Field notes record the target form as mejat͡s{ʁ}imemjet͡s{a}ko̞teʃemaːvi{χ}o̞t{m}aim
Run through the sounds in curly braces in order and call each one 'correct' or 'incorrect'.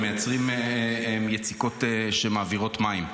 correct, incorrect: i, incorrect: ʁ, correct

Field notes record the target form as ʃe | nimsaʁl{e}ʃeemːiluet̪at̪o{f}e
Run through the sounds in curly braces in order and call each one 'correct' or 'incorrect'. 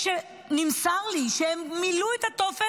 incorrect: i, correct

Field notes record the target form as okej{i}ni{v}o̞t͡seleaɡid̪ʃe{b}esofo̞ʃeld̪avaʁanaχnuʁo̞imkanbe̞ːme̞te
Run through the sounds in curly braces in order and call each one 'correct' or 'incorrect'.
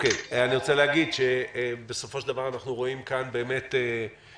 incorrect: a, incorrect: ʁ, correct

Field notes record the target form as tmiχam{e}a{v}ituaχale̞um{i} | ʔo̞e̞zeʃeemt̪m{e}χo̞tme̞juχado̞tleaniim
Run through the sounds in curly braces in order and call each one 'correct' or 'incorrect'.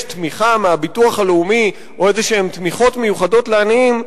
correct, incorrect: b, correct, incorrect: i

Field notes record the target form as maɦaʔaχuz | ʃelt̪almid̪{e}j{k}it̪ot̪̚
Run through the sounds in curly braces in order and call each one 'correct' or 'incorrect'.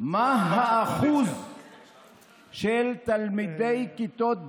correct, correct

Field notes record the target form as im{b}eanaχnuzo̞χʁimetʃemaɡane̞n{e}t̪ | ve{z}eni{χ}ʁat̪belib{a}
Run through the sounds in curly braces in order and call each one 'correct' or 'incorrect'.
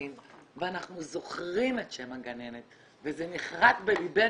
incorrect: v, correct, correct, correct, incorrect: e

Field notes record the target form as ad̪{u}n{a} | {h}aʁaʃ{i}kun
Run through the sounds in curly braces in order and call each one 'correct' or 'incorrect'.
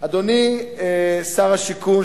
incorrect: o, incorrect: i, incorrect: s, correct

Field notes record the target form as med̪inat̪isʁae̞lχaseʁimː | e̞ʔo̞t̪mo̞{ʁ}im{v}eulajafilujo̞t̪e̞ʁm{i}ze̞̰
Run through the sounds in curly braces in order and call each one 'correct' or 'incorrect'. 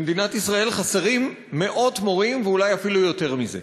correct, correct, correct

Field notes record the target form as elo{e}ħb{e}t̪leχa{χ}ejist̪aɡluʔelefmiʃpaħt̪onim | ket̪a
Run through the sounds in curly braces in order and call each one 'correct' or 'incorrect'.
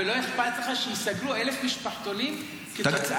correct, incorrect: a, incorrect: ʃ

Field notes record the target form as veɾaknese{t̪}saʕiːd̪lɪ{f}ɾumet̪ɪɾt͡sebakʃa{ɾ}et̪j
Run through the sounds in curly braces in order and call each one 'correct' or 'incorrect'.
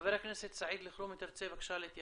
correct, incorrect: x, incorrect: l

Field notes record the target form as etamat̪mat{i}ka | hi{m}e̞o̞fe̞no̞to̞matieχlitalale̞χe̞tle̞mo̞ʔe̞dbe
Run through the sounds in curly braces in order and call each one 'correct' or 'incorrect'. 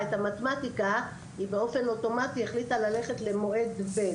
correct, incorrect: b

